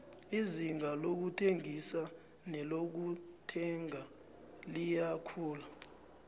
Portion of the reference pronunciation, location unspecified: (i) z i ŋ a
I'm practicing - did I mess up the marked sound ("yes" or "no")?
no